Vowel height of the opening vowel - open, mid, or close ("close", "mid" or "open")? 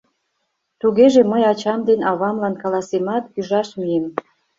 close